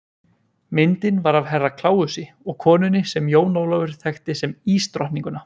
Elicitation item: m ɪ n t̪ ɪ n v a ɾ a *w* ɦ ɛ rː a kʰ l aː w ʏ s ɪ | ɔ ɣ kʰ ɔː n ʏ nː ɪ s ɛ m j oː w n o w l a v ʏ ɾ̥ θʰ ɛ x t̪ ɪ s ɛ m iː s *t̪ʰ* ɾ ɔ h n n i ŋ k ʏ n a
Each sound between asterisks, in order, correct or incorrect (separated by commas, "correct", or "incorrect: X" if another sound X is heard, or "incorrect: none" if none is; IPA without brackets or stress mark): incorrect: v, incorrect: t̪